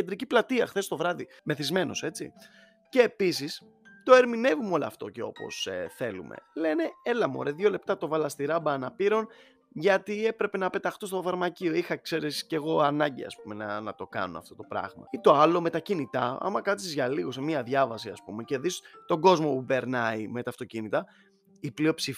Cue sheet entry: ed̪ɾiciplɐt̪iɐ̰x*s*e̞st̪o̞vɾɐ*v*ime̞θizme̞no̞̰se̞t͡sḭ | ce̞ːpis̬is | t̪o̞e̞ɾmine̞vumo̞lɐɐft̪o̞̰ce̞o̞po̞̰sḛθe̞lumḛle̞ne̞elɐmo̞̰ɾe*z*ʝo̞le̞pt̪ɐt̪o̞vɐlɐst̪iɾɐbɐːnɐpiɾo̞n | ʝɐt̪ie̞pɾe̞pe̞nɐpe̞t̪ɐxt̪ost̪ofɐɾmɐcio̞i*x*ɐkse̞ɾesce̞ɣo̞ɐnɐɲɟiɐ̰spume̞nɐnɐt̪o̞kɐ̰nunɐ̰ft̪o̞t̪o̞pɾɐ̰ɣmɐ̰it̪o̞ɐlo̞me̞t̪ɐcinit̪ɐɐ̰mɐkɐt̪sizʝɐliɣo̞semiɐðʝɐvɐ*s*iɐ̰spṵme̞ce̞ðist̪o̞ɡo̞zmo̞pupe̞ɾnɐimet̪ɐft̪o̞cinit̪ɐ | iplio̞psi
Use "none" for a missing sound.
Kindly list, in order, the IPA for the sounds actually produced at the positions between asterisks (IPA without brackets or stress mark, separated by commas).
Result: θ, ð, ð, x, s